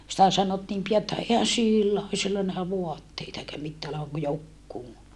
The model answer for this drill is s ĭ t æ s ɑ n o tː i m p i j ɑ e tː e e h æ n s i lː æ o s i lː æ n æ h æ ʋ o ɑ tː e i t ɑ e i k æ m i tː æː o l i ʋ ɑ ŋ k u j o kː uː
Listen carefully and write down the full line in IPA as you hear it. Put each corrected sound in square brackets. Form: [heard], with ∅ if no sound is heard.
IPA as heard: s ĭ t æ s ɑ n o tː [iː] m p i j ɑ e tː [æ] e h æ n s i lː æ o s i lː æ n æ h æ ʋ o ɑ tː e i t ɑ e i k æ m i tː æː o l [e] ʋ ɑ ŋ k u j o kː uː